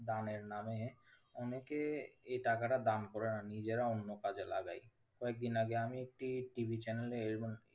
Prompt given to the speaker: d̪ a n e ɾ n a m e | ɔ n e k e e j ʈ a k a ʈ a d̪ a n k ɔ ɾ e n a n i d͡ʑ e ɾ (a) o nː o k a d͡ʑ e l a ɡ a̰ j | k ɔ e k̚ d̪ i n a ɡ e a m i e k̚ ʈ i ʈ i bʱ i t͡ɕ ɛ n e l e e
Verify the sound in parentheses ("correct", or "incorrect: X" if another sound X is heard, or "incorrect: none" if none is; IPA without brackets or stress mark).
correct